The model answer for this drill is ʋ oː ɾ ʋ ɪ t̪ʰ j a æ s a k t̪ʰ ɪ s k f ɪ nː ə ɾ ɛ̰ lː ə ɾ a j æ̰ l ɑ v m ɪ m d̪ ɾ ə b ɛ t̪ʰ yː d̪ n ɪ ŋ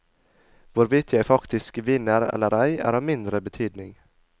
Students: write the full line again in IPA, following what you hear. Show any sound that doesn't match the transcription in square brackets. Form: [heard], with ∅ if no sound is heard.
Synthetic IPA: [v] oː ɾ [v] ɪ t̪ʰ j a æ [f] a k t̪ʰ ɪ s k [v] ɪ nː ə ɾ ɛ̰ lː ə ɾ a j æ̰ [ɾ] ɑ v m ɪ [n] d̪ ɾ ə b ɛ t̪ʰ yː d̪ n ɪ ŋ